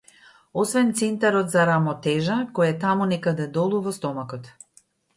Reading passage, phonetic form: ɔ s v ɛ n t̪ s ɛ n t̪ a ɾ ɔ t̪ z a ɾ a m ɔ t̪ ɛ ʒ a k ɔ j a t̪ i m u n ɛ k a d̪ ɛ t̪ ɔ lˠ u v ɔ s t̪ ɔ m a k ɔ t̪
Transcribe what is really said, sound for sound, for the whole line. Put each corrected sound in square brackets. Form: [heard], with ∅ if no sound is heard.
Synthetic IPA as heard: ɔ s v ɛ n t̪ s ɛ n t̪ a ɾ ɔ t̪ z a ɾ a m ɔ t̪ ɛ ʒ a k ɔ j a t̪ [a] m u n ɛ k a d̪ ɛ [d̪] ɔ lˠ u v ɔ s t̪ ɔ m a k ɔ t̪